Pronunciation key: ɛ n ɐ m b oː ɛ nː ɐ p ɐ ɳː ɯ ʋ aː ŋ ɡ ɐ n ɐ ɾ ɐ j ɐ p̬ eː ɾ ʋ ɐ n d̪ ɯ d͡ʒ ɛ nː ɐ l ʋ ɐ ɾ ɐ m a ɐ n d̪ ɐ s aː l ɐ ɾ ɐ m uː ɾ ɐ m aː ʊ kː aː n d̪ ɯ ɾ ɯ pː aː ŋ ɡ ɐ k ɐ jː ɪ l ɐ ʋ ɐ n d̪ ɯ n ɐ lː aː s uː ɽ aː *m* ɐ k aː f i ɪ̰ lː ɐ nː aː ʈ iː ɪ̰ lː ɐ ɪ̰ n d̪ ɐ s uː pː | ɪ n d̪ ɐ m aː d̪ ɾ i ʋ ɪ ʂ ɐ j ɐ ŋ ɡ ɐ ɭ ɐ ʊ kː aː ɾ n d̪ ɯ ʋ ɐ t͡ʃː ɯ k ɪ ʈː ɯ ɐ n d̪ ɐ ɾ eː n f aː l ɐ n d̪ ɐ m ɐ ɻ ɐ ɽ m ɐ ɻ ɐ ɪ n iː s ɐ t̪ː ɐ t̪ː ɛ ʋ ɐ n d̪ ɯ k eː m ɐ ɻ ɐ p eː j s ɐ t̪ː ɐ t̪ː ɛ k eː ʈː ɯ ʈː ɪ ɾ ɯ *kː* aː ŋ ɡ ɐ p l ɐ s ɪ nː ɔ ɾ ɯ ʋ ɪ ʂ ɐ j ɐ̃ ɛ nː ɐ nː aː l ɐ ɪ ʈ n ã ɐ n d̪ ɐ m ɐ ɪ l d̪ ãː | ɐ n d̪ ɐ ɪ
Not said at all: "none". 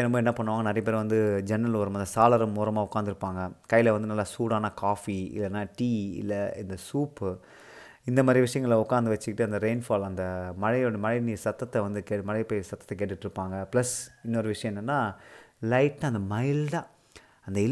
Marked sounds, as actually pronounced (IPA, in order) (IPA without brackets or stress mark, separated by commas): n, pː